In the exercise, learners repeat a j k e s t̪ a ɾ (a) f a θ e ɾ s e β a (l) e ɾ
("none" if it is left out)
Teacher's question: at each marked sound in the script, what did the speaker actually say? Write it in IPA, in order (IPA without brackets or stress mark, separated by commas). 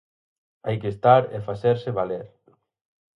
e, l